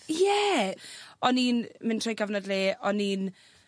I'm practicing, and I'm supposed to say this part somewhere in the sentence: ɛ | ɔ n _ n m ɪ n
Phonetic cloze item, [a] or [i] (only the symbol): i